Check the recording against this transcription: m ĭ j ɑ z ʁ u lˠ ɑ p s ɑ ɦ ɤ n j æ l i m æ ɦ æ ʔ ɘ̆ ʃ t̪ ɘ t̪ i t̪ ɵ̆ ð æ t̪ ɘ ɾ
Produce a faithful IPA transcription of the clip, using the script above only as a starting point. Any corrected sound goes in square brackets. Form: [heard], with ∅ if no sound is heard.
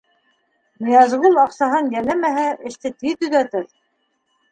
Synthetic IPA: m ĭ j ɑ z ʁ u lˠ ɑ [q] s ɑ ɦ ɤ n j æ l [æ] m æ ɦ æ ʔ ɘ̆ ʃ t̪ ɘ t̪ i t̪ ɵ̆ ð æ t̪ ɘ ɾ